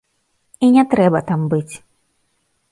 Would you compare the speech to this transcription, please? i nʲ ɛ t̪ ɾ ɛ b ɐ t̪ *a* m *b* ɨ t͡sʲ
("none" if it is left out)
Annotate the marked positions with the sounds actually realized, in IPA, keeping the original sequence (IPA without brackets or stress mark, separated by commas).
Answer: a, b